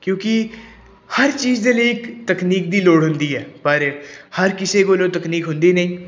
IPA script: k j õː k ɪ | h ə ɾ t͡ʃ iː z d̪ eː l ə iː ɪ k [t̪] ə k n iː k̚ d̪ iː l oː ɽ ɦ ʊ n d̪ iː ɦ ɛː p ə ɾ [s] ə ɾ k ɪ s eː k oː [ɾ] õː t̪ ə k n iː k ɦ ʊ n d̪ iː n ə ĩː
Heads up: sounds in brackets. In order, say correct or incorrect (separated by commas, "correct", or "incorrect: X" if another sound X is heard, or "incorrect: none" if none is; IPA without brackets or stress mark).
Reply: correct, incorrect: h, incorrect: l